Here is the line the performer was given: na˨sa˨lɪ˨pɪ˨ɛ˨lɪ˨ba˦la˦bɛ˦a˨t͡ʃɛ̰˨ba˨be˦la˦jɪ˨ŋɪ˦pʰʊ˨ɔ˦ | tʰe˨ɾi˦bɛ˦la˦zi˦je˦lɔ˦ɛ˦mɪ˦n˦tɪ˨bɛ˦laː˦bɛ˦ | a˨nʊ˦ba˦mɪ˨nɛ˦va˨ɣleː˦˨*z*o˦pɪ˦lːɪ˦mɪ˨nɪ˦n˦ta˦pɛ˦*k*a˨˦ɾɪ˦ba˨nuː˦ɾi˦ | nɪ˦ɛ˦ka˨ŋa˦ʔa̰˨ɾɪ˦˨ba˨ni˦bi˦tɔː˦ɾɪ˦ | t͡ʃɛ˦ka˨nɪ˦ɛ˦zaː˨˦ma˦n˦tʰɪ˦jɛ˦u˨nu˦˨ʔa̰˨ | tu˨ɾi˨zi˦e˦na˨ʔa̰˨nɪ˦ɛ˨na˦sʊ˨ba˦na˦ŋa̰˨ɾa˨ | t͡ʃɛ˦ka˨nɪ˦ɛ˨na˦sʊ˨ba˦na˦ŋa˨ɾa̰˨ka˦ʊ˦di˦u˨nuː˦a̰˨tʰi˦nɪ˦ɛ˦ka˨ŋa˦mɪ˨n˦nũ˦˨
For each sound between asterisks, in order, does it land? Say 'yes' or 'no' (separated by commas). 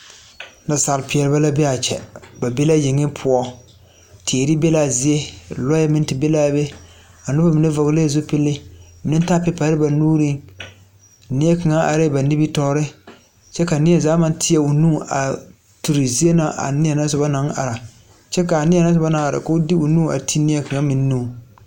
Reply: yes, no